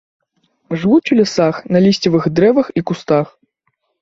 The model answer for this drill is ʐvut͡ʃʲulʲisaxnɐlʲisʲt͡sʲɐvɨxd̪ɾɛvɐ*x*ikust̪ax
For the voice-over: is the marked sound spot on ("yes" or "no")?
yes